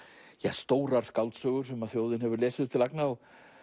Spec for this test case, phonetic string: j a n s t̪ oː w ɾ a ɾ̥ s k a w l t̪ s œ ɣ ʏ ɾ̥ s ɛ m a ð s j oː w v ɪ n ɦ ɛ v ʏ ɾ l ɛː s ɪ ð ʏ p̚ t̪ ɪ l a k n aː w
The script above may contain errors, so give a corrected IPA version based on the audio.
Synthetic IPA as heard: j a s t̪ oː w ɾ a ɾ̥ s k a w l t̪ s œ ɣ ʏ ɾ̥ s ɛ m a ð θ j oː w ð ɪ n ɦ ɛ v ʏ ɾ l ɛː s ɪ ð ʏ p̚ t̪ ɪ l a k n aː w